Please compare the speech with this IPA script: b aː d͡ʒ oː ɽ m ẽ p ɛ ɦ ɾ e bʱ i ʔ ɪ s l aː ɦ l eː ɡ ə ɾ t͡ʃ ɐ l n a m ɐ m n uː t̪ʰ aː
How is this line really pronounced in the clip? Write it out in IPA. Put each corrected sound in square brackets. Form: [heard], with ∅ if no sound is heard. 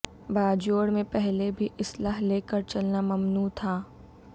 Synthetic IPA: b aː d͡ʒ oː ɽ m ẽ p ɛ ɦ [l] e bʱ i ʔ ɪ s l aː ɦ l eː [k] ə ɾ t͡ʃ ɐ l n a m ɐ m n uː t̪ʰ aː